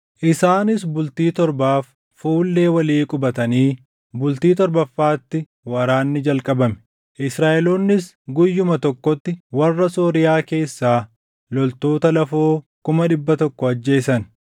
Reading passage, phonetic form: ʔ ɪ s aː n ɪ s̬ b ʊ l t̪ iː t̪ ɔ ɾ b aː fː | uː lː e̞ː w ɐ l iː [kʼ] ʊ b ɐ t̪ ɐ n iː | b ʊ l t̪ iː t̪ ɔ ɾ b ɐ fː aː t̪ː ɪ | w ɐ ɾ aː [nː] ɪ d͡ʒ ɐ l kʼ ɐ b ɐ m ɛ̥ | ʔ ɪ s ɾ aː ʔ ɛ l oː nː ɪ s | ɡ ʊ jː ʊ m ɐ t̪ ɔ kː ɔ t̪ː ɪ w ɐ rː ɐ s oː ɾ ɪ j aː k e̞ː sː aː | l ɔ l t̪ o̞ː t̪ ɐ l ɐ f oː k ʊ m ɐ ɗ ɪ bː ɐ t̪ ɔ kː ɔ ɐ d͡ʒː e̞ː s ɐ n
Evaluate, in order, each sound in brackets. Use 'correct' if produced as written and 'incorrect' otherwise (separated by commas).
correct, correct